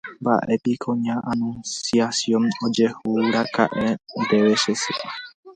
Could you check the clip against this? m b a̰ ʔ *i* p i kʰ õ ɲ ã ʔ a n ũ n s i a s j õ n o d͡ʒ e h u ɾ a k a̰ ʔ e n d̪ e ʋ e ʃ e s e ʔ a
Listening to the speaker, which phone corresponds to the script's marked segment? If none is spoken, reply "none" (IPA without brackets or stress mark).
e